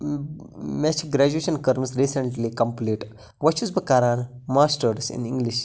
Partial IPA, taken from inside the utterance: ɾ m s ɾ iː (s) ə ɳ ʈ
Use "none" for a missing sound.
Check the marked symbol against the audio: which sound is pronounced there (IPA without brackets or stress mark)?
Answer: s